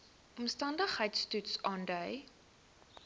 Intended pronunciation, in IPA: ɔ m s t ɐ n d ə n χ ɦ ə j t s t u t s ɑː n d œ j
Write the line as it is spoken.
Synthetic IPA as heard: ɔ m s t ɐ n d ə χ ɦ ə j t s t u t s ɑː n d œ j